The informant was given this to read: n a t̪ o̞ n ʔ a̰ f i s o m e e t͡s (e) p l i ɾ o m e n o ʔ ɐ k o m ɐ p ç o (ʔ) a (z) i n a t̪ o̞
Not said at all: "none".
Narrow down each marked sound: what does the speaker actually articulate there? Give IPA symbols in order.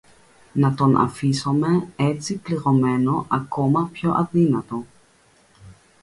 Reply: i, ʔ, ð

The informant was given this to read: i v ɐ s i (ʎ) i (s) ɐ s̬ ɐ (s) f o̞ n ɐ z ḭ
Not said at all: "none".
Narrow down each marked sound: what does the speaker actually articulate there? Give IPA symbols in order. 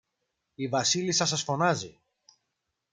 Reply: l, s, s

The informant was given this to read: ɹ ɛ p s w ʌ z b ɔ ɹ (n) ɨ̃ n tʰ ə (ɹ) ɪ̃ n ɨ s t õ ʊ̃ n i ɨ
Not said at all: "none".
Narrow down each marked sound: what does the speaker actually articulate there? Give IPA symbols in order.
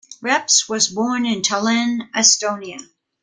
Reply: n, l

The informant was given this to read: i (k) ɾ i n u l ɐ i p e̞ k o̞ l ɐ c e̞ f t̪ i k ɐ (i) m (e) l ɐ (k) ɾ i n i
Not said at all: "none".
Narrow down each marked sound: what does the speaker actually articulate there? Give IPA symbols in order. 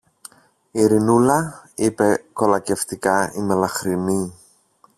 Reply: none, i, e, x

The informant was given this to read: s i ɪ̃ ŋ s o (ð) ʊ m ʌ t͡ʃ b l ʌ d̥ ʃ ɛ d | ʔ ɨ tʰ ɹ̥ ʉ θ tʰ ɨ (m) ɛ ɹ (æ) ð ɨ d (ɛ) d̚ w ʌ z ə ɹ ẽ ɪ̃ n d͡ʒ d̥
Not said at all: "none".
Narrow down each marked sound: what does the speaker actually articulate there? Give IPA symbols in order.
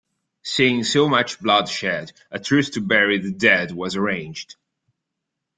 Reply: none, b, i, ɛ

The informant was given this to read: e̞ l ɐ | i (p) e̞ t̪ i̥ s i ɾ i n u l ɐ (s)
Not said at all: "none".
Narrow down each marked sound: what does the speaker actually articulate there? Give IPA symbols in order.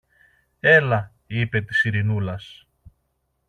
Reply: p, s

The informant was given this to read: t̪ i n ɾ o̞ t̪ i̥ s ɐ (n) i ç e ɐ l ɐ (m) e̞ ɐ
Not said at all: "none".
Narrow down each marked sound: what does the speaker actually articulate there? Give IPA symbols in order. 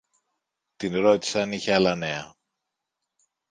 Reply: n, n

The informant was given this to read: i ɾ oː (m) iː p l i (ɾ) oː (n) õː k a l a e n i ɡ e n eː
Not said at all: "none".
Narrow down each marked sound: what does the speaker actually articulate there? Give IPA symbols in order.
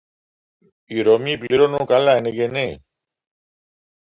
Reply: m, ɾ, n

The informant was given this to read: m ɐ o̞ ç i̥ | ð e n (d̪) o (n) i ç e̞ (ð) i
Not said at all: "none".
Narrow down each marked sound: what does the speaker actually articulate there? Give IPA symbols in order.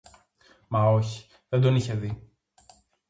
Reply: d̪, n, ð

